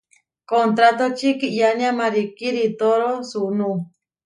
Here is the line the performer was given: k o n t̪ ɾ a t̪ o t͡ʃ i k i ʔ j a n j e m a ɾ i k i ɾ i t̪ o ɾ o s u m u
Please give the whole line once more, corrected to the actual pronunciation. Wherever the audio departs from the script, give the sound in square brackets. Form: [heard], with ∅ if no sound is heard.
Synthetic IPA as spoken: k o n t̪ ɾ a t̪ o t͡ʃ i k i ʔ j a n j [a] m a ɾ i k i ɾ i t̪ o ɾ o s u [n] u